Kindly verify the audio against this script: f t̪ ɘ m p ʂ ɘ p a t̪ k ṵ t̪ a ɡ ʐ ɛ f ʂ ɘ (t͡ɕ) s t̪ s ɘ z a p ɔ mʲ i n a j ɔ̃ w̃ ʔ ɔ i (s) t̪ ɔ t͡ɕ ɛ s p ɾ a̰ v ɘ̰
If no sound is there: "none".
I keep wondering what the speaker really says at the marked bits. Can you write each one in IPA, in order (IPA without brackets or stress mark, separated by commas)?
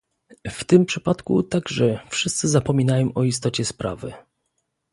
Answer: none, s